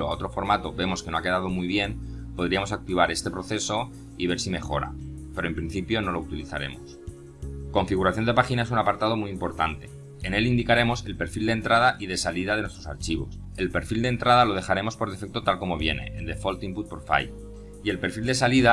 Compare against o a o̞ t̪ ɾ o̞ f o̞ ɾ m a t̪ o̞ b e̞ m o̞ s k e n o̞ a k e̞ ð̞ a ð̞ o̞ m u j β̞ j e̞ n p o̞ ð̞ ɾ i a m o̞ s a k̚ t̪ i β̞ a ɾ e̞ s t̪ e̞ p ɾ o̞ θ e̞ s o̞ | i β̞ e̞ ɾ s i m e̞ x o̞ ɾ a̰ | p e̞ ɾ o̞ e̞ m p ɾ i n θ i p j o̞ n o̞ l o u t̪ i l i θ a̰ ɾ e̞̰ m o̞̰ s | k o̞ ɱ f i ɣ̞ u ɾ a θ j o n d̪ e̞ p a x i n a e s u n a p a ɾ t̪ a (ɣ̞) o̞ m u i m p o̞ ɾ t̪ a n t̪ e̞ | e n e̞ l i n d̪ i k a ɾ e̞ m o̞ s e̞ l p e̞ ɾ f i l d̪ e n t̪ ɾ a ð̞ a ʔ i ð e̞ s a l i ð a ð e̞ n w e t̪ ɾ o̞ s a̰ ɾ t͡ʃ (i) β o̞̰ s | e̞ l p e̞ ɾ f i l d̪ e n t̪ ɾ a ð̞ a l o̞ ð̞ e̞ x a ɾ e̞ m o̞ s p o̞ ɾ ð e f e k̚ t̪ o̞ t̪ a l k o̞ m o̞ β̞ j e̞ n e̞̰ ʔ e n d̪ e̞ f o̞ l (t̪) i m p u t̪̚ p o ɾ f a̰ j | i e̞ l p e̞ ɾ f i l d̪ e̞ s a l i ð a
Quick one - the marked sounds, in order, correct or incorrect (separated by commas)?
incorrect, correct, correct